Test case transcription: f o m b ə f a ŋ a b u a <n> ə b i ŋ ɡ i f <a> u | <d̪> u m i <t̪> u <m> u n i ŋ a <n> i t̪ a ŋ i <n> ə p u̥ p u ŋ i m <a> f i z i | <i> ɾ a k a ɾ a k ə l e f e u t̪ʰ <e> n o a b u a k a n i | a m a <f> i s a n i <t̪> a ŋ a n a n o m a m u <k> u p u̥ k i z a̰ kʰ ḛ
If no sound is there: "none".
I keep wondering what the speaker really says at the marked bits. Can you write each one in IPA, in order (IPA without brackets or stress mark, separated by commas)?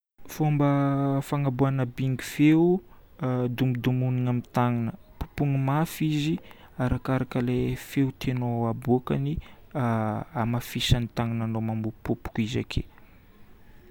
n, e, d̪, d̪, m, m, n, a, a, e, f, t̪, p